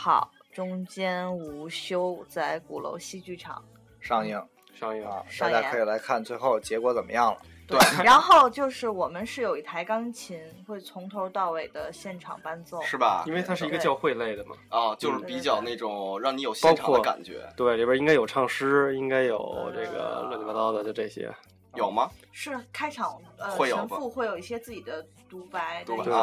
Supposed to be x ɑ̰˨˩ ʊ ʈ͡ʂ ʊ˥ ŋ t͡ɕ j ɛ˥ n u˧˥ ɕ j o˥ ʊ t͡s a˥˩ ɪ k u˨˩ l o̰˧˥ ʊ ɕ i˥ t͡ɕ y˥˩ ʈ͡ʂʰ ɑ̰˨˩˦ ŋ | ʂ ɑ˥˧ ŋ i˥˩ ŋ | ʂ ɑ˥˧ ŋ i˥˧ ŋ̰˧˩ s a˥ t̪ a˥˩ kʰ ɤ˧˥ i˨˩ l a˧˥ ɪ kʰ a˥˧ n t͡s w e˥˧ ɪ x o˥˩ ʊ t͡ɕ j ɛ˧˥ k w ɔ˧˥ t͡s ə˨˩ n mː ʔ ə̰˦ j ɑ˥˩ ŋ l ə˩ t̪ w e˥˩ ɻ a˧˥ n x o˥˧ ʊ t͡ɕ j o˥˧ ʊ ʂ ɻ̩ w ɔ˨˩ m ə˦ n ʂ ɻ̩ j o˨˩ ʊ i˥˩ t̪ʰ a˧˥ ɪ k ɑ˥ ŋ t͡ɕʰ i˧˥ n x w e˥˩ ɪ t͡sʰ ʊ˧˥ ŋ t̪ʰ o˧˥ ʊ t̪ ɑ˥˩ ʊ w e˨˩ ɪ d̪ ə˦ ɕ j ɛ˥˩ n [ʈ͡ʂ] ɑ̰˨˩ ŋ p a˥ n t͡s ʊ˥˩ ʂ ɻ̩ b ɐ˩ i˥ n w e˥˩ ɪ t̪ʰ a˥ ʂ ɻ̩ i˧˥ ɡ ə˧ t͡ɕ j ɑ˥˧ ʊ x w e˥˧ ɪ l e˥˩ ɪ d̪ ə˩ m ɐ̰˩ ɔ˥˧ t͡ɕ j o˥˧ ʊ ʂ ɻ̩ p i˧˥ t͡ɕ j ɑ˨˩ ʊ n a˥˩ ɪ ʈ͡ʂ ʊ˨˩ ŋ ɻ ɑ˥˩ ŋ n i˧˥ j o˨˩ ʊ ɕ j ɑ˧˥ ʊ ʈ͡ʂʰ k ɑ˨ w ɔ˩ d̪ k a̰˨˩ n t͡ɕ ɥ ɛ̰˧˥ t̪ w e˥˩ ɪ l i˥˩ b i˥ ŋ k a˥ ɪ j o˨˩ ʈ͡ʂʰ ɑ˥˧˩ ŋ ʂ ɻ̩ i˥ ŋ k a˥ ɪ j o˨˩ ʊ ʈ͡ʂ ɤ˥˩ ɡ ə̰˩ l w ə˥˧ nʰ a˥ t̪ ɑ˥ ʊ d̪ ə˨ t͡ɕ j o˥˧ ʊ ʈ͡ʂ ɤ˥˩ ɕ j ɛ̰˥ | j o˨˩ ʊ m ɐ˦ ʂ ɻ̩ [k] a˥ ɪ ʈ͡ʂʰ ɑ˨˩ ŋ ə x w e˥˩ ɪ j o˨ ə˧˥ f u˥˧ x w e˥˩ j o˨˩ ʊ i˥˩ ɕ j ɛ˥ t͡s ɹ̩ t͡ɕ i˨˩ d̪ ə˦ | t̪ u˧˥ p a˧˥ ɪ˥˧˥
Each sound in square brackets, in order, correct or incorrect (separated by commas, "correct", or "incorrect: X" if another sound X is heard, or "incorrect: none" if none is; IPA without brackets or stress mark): incorrect: ʈ͡ʂʰ, incorrect: kʰ